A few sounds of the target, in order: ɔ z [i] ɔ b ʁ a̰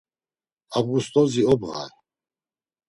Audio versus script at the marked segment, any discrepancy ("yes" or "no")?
no